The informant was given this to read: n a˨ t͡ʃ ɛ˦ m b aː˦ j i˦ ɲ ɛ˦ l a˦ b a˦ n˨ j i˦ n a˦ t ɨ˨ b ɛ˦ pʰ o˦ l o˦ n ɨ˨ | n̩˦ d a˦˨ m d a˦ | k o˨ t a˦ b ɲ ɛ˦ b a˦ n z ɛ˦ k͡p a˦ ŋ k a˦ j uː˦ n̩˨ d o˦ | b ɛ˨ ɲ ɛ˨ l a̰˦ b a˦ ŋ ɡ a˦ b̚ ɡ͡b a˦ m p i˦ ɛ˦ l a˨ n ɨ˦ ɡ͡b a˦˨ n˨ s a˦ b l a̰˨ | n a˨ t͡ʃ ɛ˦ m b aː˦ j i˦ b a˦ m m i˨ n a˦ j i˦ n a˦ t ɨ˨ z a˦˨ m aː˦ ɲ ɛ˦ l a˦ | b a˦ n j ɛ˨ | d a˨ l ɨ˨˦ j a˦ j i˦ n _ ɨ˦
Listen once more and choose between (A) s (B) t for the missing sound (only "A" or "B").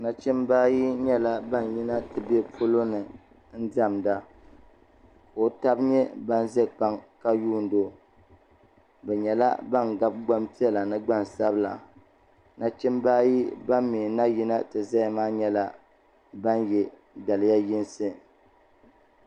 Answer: A